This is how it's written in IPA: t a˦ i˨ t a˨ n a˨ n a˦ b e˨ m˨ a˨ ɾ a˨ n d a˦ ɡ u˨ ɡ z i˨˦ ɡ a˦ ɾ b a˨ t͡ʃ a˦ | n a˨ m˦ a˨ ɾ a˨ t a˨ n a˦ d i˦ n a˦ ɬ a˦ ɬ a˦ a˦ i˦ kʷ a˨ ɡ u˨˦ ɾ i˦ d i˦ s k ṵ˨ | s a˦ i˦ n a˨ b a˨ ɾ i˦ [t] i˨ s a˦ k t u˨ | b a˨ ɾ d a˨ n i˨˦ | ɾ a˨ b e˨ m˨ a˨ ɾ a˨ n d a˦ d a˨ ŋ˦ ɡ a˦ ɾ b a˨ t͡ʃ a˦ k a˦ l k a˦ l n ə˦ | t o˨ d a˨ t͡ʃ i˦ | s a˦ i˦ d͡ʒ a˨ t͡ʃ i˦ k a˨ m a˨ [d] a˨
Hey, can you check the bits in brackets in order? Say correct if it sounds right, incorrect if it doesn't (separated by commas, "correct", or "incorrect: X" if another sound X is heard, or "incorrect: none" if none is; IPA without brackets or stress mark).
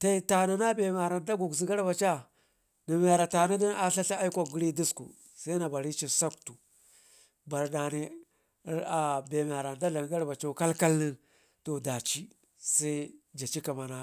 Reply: incorrect: t͡ʃ, incorrect: n